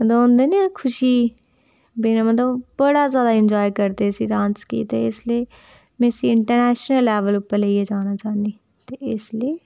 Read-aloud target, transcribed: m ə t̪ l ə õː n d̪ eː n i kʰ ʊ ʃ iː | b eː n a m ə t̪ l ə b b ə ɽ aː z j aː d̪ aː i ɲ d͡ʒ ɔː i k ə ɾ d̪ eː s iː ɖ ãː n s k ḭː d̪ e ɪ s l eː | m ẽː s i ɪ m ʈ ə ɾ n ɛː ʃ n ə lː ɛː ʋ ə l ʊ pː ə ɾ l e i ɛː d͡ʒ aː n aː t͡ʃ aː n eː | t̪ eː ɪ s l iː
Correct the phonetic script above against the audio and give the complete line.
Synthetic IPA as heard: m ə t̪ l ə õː n d̪ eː n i kʰ ʊ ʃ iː | b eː n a m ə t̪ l ə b b ə ɽ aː z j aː d̪ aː ɪ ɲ d͡ʒ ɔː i k ə ɾ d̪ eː s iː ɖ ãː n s k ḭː t̪ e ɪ s l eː | m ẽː s i ɪ ɳ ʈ ə ɾ n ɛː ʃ n ə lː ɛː ʋ ə l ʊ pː ə ɾ l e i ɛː d͡ʒ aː n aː t͡ʃ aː n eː | t̪ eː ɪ s l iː